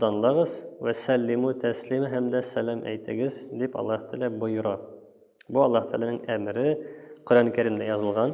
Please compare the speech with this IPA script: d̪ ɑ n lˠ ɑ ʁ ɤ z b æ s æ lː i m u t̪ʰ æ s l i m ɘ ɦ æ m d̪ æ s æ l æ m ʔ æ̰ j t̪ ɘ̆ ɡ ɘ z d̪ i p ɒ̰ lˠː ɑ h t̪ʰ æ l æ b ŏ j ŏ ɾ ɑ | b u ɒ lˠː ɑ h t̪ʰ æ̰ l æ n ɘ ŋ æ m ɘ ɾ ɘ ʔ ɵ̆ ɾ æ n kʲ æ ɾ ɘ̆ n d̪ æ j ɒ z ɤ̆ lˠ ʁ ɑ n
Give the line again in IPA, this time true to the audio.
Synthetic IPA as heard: d̪ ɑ n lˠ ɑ ʁ ɤ z w æ s æ lː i m u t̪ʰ æ s l i m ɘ ɦ æ m d̪ æ s æ l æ m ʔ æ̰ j t̪ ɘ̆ ɡ ɘ z d̪ i p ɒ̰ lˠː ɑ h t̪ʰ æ l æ b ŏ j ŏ ɾ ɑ | b u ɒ lˠː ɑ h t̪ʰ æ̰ l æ n ɘ ŋ æ m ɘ ɾ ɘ q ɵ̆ ɾ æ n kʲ æ ɾ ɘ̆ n d̪ æ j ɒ z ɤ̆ lˠ ʁ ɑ n